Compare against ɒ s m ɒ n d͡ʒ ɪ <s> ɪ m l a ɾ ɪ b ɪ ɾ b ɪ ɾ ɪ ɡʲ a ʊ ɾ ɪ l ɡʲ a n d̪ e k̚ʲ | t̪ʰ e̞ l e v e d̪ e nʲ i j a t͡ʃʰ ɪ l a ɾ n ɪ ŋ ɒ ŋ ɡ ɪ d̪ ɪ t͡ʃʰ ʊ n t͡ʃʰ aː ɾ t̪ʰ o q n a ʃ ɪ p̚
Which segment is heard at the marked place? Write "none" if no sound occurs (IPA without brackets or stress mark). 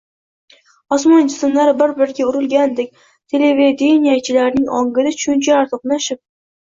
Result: s